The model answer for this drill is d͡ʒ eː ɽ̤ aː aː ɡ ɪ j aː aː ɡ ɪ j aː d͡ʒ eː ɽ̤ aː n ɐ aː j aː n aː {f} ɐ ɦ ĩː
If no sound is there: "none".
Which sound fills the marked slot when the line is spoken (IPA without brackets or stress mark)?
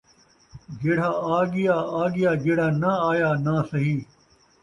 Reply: s